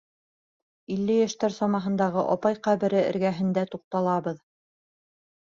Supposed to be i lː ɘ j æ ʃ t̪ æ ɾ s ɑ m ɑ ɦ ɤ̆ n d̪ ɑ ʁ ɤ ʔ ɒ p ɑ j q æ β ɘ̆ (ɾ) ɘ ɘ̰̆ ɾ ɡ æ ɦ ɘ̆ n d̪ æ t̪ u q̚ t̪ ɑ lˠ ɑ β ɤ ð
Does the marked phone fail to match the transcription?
no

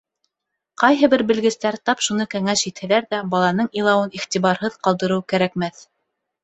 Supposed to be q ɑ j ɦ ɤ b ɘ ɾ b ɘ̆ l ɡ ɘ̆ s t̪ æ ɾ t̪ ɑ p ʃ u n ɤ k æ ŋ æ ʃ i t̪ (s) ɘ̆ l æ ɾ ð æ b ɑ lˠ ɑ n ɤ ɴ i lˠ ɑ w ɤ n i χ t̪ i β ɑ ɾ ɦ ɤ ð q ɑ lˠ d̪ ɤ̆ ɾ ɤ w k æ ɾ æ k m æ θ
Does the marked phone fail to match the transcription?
yes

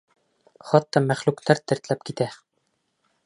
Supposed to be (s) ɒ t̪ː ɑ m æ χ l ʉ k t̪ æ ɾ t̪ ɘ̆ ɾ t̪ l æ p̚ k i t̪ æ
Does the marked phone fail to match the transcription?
yes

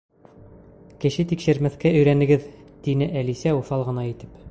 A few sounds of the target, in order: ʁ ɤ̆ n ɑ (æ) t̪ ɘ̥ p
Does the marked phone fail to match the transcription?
yes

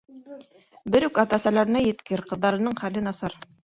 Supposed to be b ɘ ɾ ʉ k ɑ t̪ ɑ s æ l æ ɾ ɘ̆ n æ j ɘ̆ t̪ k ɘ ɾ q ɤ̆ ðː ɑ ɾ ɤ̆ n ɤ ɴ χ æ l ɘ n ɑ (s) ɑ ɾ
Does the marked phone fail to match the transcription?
no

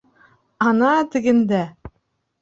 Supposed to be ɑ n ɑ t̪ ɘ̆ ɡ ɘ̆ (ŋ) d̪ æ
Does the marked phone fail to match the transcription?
yes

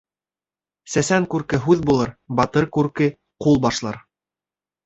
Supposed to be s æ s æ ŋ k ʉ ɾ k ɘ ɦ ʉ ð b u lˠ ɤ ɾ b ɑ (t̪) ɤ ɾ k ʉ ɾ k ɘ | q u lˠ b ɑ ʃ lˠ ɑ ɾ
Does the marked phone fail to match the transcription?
no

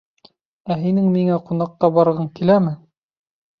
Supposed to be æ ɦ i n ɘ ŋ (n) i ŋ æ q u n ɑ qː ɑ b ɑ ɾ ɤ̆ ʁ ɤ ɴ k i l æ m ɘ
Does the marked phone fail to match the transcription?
yes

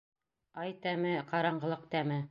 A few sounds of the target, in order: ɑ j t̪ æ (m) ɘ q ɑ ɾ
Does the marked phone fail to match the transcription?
no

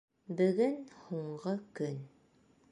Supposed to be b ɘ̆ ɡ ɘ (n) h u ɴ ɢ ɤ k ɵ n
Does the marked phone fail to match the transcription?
no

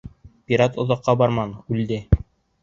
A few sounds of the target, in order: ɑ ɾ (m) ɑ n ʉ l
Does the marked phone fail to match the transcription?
no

